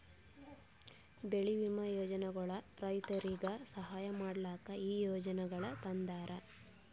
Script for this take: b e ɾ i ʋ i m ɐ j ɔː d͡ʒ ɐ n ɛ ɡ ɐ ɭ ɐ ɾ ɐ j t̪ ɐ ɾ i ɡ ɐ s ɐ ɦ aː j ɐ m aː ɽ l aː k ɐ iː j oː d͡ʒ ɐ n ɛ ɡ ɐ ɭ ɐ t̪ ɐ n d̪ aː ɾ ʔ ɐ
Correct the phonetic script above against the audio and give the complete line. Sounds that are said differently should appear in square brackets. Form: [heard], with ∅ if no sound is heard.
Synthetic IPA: b e [ɭ] i ʋ i m ɐ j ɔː d͡ʒ ɐ n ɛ ɡ ɐ ɭ ɐ ɾ ɐ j t̪ ɐ ɾ i ɡ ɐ s ɐ ɦ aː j ɐ m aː ɽ l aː k ɐ iː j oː d͡ʒ ɐ n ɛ ɡ ɐ ɭ ɐ t̪ ɐ n d̪ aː ɾ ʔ ɐ